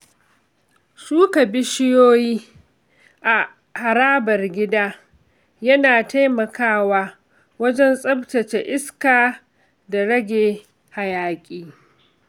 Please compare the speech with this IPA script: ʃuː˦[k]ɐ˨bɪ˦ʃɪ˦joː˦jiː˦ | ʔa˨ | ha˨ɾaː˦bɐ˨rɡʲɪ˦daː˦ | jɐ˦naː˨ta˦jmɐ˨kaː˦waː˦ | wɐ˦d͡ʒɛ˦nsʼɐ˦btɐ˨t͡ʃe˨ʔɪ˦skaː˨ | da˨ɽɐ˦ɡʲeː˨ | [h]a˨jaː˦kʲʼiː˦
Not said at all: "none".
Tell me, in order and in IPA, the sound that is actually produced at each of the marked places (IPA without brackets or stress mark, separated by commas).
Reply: k, h